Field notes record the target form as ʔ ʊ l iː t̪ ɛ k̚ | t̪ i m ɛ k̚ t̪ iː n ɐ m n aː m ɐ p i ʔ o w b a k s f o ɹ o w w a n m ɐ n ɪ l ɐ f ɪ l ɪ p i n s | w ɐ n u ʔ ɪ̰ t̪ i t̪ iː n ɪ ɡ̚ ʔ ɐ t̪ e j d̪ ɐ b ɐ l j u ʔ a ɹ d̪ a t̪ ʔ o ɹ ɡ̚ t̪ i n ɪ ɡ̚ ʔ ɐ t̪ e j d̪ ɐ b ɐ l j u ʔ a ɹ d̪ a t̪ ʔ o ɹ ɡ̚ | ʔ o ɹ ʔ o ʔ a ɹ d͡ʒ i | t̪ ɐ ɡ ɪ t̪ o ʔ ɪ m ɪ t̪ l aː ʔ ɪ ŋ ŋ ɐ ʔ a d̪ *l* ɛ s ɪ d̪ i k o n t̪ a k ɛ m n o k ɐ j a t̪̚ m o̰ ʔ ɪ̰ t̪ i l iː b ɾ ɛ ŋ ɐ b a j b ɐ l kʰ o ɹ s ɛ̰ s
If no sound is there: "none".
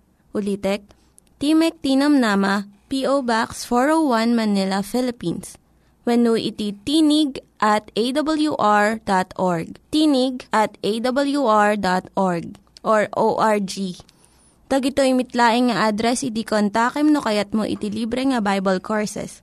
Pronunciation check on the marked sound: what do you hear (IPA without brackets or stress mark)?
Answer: ɾ